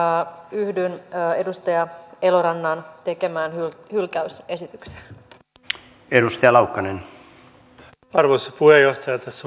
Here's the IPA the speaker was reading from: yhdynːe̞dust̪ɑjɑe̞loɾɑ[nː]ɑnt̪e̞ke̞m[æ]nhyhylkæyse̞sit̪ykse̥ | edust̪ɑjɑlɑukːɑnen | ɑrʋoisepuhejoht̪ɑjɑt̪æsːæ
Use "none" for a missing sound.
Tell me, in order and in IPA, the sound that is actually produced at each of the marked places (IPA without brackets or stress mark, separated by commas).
nː, æː